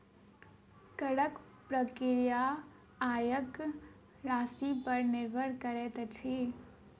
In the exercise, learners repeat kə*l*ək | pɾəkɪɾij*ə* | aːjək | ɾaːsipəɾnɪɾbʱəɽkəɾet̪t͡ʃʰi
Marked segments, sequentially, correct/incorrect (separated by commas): incorrect, incorrect